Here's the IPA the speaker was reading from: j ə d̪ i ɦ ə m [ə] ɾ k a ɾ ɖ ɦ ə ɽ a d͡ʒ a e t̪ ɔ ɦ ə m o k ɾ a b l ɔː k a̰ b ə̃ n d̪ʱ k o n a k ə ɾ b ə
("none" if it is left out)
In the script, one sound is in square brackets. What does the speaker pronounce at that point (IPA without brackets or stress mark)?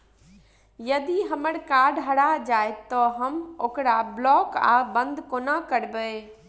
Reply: ə